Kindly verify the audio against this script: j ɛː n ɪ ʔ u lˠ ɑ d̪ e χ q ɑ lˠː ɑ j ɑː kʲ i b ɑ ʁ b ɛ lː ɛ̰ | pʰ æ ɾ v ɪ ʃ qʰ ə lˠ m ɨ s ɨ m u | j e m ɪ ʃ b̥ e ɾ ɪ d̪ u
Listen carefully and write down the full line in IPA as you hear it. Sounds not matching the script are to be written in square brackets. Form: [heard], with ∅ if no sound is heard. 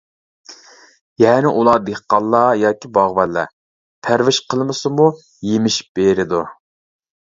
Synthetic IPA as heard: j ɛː n ɪ ʔ u lˠ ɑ d̪ e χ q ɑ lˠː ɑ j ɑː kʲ i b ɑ ʁ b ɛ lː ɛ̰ | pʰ æ ɾ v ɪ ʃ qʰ ə lˠ m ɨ s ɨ m u | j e m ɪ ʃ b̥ e ɾ ɪ d̪ u